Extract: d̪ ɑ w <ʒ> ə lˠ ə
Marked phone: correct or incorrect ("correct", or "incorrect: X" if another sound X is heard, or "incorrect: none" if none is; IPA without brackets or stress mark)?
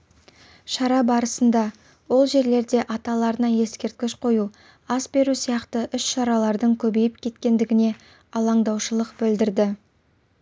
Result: incorrect: ʃ